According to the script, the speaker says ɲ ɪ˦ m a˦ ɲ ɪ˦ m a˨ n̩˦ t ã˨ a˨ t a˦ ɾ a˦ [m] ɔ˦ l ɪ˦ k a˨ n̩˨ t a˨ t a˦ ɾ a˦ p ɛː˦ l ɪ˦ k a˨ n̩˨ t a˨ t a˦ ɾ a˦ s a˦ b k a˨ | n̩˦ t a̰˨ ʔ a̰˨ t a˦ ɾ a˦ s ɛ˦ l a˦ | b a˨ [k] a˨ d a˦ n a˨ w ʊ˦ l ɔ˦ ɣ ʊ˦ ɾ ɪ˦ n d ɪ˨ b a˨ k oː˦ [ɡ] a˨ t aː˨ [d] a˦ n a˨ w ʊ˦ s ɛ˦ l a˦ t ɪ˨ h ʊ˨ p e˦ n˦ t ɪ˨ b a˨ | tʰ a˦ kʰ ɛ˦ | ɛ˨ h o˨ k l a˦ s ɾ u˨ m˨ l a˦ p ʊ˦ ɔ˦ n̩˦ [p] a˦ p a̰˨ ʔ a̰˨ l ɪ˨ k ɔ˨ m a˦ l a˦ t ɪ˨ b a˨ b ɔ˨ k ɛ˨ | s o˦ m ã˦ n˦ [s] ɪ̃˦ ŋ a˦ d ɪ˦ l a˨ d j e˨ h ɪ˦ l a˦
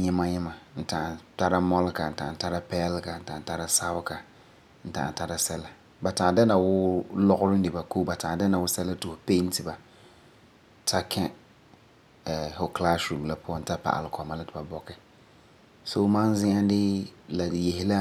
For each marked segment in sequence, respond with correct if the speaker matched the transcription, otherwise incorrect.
correct, incorrect, incorrect, correct, incorrect, incorrect

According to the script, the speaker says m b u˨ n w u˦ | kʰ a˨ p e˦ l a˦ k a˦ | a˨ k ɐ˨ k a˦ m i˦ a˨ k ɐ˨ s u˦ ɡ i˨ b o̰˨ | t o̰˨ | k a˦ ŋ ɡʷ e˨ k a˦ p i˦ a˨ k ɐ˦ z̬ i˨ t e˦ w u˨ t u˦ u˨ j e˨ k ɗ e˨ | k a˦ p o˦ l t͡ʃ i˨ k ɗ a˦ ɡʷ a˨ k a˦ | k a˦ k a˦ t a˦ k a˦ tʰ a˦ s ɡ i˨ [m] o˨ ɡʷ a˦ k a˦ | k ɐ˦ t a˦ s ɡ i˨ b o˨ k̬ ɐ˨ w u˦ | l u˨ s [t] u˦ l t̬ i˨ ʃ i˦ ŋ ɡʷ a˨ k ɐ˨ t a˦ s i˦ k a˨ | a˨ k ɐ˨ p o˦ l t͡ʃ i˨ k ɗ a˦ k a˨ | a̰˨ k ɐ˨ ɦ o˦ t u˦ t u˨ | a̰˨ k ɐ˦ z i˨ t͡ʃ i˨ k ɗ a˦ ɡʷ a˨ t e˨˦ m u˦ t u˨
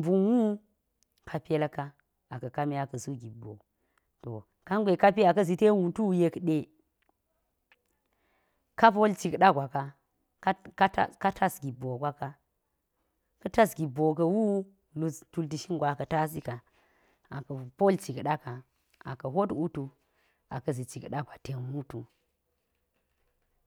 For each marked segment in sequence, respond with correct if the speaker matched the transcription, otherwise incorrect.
incorrect, correct

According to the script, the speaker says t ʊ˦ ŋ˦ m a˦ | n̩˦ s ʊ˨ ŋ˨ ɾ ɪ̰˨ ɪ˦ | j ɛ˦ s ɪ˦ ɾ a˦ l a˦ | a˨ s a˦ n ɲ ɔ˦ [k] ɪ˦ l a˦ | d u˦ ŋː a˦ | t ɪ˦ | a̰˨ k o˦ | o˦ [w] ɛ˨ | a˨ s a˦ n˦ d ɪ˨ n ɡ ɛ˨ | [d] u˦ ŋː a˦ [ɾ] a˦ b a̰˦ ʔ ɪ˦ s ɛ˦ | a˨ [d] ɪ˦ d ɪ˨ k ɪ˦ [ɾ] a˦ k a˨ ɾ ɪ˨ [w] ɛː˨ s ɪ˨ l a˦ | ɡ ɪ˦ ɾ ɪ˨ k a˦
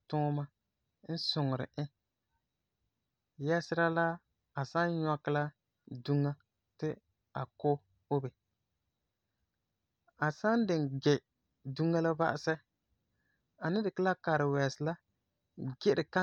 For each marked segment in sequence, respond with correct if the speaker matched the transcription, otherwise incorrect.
correct, incorrect, correct, incorrect, incorrect, incorrect, correct

